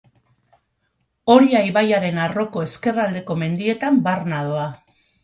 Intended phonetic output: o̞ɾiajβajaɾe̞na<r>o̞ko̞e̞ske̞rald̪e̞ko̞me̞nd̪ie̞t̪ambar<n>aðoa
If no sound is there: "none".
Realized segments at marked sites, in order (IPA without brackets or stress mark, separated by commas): r, n